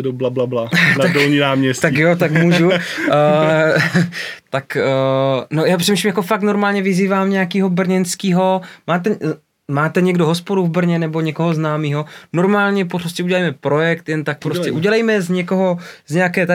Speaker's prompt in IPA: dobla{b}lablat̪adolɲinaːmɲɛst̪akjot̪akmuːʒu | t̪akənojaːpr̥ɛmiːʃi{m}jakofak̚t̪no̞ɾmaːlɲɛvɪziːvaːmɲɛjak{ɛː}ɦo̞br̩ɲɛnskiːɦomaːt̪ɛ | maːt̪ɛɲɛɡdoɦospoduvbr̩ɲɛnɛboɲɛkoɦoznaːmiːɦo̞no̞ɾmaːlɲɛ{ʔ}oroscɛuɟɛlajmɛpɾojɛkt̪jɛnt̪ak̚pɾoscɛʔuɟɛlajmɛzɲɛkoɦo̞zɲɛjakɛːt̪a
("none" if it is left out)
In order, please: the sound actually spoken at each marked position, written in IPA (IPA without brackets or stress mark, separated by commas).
b, m, iː, p